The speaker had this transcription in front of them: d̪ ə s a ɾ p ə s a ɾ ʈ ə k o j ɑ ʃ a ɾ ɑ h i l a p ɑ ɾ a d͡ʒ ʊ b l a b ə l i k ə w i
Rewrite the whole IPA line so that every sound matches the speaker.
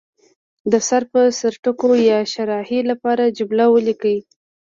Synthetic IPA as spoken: d̪ ə s a ɾ p ə s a ɾ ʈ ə k o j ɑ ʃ a ɾ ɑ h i l a p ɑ ɾ a d͡ʒ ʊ b l a w ə l i k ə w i